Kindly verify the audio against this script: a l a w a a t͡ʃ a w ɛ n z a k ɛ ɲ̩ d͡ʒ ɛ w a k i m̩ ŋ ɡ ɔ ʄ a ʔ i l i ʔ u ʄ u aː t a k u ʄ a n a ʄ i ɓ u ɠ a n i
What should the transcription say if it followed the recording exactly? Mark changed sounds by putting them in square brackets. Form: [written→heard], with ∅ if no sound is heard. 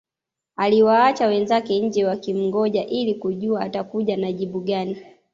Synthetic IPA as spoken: a l [a→i] w a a t͡ʃ a w ɛ n z a k ɛ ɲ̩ d͡ʒ ɛ w a k i m̩ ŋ ɡ ɔ ʄ a ʔ i l i [ʔ→k] u ʄ u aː t a k u ʄ a n a ʄ i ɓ u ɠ a n i